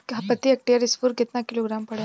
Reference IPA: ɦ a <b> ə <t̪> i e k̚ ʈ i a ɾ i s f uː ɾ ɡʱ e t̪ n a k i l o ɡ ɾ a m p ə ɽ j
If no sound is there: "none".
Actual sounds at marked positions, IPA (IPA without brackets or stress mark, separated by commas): p, t̪